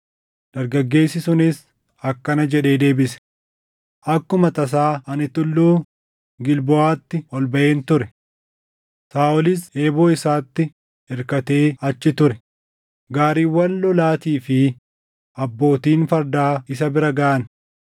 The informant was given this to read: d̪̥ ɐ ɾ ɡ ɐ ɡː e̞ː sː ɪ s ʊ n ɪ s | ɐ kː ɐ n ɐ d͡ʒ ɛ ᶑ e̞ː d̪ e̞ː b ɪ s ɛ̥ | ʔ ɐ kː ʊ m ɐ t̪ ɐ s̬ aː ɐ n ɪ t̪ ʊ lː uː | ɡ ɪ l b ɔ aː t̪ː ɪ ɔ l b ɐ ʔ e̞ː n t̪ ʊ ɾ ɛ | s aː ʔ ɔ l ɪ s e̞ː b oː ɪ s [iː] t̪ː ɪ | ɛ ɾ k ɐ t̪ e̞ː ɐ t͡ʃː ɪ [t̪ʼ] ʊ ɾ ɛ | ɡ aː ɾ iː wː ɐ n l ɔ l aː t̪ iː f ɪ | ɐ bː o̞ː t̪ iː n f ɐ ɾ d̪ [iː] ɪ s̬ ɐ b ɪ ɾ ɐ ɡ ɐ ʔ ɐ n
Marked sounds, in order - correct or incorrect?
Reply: incorrect: aː, incorrect: t̪, incorrect: aː

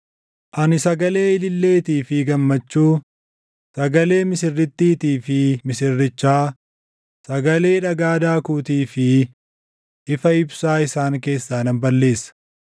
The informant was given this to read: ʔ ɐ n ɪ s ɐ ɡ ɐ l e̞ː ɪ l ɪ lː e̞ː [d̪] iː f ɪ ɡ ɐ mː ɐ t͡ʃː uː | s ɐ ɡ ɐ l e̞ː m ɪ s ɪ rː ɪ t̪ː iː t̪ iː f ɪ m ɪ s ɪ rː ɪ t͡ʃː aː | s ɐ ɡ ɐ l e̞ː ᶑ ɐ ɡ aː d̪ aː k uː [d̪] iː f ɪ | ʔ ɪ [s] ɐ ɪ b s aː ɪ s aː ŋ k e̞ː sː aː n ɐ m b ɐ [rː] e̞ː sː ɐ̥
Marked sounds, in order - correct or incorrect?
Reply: incorrect: t̪, incorrect: t̪, incorrect: f, incorrect: lː

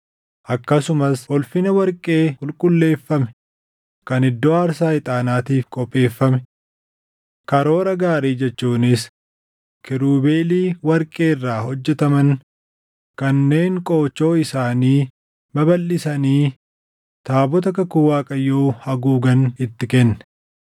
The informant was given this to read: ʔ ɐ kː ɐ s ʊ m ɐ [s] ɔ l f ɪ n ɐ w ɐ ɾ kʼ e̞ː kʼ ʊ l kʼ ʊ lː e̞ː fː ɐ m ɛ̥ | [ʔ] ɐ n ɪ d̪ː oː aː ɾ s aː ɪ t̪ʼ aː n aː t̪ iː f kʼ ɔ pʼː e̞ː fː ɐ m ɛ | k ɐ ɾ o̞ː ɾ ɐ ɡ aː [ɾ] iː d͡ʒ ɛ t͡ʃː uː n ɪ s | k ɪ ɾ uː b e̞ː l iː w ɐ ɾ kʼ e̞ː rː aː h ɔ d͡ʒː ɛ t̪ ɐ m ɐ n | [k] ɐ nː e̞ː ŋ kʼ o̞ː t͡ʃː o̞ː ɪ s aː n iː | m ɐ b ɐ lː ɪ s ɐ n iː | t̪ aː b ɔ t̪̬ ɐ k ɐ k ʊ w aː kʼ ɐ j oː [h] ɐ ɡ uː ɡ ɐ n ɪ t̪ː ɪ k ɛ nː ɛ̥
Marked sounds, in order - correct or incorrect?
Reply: correct, incorrect: k, correct, correct, correct

